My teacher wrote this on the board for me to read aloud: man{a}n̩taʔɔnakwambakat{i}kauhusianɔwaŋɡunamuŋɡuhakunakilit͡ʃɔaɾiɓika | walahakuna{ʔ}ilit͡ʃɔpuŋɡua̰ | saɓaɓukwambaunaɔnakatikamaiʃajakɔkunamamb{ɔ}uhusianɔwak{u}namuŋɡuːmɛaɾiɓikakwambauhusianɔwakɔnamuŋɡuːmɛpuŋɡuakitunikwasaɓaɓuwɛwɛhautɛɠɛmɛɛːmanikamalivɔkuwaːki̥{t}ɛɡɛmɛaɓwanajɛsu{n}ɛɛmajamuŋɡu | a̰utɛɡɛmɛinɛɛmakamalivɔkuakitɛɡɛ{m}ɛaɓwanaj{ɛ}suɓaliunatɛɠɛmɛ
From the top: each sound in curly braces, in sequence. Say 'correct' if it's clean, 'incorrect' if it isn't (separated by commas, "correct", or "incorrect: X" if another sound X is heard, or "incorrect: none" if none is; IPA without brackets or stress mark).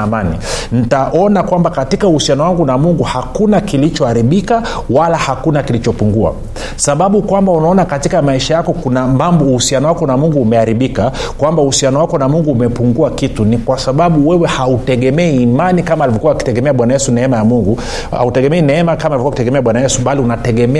incorrect: i, correct, incorrect: k, correct, incorrect: ɔ, correct, correct, correct, correct